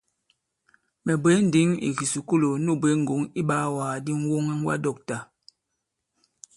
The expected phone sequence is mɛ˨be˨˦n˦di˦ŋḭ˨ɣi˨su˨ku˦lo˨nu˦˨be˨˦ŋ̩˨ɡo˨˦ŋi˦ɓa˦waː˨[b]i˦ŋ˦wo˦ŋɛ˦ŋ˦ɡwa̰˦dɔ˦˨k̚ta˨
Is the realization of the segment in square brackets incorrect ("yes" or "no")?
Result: yes